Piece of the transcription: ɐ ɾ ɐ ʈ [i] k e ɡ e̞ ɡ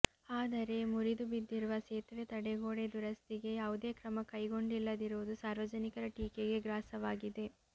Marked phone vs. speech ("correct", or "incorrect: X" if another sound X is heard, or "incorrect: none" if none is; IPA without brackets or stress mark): incorrect: iː